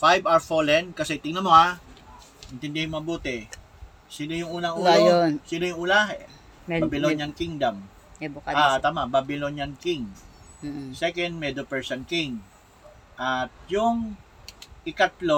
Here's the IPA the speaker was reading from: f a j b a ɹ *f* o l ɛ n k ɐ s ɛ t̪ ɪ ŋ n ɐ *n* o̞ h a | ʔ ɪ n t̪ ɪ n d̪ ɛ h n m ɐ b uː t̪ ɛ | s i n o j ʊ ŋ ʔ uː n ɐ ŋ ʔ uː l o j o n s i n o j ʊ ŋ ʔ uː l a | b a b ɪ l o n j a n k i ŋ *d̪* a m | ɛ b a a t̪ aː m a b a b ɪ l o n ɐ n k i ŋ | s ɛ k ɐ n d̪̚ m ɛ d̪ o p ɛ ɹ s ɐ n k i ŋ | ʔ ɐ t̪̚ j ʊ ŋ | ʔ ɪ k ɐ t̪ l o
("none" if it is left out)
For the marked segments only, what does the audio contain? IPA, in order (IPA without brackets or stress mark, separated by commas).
f, m, d̪